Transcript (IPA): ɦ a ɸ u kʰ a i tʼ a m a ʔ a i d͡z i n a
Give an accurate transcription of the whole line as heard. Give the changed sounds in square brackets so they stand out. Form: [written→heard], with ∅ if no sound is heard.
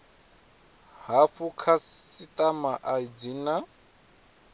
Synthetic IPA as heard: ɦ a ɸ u kʰ a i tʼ a m a ʔ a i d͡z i n a